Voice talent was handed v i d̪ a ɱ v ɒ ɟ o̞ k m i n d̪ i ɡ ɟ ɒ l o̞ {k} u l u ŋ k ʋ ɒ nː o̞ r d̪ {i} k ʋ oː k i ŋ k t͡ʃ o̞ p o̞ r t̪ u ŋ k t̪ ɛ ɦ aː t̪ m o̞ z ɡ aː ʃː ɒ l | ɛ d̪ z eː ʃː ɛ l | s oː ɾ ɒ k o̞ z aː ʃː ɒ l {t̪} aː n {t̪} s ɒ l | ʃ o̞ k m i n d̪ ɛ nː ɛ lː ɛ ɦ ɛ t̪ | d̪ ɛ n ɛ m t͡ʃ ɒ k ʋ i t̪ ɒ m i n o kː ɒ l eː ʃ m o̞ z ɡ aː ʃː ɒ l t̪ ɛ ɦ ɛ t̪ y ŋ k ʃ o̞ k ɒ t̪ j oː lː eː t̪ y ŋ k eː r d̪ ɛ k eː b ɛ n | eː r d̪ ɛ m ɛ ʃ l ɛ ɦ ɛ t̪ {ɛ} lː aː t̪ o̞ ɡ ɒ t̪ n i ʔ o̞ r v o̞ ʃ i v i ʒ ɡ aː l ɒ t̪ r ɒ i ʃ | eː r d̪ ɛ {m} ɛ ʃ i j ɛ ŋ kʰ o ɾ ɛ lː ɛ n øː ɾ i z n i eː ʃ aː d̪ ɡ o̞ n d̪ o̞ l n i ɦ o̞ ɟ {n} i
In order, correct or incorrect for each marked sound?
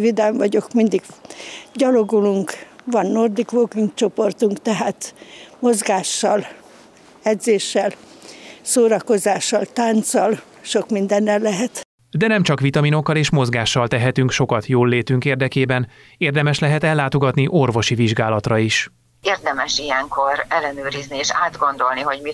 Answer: incorrect, correct, correct, correct, correct, correct, incorrect

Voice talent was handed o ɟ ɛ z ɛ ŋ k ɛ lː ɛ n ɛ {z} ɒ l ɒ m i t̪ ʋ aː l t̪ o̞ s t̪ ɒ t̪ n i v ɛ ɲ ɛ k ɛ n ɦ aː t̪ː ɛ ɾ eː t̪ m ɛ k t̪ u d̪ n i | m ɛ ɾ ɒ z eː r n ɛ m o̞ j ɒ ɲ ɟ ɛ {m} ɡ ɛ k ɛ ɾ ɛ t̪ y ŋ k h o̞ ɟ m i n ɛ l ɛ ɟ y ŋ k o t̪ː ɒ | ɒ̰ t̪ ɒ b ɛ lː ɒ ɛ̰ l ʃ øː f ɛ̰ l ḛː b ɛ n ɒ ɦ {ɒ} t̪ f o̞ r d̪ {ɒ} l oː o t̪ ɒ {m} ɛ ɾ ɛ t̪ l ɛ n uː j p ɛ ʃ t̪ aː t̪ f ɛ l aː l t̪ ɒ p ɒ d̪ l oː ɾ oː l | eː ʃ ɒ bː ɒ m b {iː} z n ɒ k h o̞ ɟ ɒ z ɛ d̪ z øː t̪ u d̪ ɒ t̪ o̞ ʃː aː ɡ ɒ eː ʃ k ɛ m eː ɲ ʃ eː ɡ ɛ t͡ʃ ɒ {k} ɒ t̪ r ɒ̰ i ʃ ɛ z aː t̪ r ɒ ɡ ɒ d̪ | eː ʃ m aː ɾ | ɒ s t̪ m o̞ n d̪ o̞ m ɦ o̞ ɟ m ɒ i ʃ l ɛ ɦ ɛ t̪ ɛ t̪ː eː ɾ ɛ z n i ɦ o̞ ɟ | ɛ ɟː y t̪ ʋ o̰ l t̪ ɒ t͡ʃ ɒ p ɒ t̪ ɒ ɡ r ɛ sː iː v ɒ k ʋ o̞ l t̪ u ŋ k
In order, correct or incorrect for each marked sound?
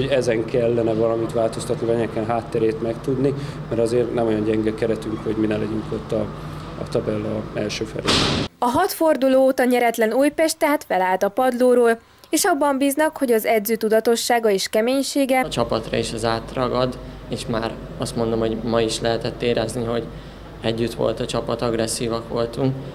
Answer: incorrect, incorrect, correct, incorrect, incorrect, correct, incorrect

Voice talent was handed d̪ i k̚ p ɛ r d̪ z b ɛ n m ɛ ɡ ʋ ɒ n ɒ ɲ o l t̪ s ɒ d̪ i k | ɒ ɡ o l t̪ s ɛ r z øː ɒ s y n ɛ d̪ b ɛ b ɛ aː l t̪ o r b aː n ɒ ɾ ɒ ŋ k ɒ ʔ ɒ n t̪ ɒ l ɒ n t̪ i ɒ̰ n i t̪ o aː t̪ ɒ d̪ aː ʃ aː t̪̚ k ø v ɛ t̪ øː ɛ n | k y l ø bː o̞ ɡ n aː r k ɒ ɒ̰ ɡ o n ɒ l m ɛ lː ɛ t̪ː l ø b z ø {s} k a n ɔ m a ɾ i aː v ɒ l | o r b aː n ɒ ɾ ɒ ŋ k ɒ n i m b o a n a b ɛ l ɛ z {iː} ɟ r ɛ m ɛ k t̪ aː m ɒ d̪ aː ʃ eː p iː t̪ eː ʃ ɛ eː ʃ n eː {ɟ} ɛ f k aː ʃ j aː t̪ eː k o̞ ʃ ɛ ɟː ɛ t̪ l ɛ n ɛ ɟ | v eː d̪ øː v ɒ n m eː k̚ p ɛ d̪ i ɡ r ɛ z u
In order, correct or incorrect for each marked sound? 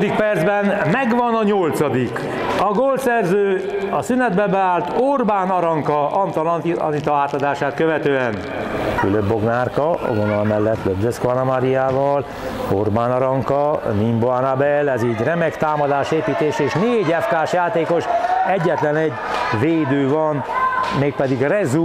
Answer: correct, correct, correct

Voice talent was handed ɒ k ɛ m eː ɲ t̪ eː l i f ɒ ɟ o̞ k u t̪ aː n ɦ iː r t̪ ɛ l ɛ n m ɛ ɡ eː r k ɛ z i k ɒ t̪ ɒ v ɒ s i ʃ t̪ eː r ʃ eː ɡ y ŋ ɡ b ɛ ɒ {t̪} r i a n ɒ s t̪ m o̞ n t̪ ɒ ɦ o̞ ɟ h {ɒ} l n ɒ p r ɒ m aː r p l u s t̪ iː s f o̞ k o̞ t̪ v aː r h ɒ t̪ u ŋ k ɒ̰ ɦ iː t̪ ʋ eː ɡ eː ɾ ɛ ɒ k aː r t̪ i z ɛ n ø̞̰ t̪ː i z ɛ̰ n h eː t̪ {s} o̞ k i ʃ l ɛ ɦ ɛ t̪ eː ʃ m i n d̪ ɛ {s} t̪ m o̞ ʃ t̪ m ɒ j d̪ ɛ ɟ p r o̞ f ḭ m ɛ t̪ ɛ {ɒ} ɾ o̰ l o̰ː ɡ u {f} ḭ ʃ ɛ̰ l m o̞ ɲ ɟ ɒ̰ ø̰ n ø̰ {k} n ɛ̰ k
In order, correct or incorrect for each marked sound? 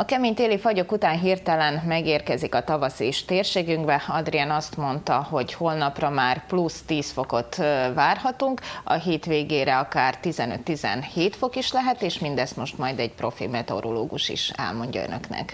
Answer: incorrect, incorrect, incorrect, correct, incorrect, incorrect, correct

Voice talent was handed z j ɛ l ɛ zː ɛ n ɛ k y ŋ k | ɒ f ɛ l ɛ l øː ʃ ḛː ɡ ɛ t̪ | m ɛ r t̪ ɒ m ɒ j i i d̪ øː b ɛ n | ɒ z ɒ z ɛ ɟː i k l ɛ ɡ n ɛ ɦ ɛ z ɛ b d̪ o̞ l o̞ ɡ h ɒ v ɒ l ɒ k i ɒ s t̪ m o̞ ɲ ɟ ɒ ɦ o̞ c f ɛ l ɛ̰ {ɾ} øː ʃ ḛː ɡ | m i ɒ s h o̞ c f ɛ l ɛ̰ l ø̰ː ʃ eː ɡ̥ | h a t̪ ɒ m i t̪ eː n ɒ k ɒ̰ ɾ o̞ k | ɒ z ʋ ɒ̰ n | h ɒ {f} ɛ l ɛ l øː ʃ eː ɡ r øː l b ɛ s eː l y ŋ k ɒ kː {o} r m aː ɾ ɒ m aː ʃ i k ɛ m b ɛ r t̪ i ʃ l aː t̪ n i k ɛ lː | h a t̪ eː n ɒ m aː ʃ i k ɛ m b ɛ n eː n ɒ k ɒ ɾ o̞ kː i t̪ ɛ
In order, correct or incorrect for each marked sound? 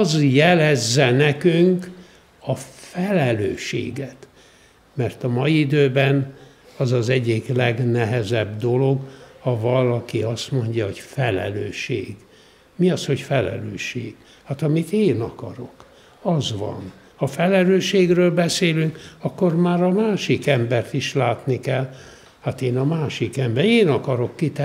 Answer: incorrect, correct, correct

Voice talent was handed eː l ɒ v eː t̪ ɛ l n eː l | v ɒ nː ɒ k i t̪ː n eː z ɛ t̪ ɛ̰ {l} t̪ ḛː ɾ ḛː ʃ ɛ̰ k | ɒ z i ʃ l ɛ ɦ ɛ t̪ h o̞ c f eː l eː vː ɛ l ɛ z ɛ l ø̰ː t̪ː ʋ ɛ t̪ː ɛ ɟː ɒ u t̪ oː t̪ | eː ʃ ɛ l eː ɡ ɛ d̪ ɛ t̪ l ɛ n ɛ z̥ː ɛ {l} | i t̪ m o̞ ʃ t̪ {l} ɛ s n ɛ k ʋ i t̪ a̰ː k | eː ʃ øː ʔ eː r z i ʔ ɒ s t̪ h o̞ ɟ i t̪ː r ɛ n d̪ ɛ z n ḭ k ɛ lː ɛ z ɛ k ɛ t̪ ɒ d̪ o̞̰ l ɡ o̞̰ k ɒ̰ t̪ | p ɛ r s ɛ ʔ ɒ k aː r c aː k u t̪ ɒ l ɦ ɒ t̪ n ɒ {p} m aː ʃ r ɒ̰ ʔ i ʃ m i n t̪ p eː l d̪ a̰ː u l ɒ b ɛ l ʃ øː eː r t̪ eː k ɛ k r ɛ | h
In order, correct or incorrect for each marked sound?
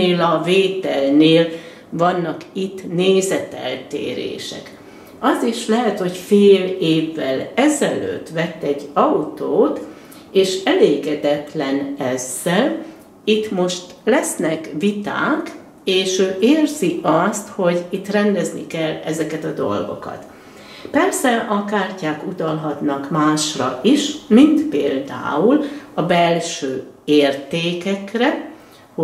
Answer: correct, correct, correct, incorrect

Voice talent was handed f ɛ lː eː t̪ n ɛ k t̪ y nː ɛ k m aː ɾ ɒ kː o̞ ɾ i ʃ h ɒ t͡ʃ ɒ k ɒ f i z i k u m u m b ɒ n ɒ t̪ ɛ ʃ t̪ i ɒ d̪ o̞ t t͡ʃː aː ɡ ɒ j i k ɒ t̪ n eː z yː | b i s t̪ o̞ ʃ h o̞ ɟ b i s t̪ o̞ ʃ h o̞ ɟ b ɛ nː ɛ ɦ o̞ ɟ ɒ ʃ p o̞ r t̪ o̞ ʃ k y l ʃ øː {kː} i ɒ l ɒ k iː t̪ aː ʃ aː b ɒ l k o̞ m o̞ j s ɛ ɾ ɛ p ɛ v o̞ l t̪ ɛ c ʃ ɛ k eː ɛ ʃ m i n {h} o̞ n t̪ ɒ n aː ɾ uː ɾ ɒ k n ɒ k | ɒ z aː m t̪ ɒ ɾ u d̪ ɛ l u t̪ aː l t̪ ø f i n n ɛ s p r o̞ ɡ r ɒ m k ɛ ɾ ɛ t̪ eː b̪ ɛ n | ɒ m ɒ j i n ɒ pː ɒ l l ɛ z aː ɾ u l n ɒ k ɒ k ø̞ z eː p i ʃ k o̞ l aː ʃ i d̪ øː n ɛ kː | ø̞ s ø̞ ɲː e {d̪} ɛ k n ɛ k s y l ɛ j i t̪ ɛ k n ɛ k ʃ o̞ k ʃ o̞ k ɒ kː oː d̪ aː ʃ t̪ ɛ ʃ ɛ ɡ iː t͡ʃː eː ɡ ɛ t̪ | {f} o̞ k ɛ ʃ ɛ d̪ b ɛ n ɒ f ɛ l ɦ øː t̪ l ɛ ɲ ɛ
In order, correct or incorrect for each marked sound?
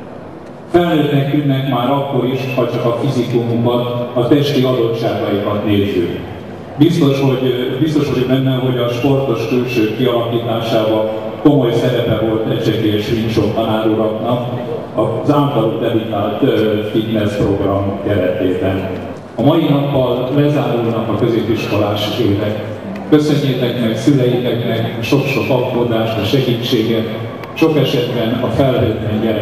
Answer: correct, incorrect, incorrect, incorrect

